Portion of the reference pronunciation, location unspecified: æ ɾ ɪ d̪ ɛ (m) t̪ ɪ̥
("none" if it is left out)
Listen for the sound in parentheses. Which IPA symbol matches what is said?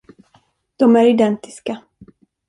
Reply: n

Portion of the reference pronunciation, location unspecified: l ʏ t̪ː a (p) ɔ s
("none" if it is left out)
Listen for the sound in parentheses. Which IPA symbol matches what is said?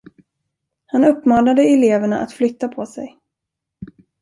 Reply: pʰ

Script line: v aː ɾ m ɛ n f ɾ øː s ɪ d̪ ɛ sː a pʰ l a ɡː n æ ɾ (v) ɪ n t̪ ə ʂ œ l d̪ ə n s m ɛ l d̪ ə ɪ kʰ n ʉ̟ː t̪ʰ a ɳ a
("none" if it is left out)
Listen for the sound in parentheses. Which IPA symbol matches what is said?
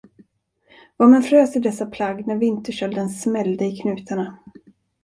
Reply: v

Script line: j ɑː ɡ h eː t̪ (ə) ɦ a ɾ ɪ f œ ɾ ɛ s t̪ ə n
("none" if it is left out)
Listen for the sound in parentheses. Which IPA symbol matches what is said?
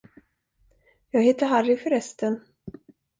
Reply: ə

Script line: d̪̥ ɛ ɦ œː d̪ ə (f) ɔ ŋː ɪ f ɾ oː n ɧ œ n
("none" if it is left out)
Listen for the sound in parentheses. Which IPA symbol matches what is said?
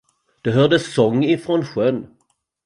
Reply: s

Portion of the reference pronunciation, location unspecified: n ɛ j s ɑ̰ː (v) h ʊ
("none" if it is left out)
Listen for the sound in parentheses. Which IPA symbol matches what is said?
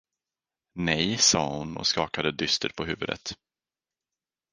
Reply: none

